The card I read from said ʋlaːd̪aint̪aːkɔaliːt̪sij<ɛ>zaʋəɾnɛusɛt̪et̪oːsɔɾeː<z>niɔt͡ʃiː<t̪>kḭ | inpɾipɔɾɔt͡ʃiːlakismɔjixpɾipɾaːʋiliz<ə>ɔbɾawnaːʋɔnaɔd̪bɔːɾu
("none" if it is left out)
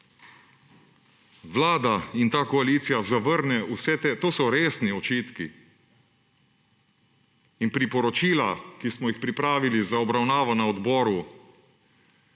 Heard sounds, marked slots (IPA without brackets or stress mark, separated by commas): a, s, t̪, a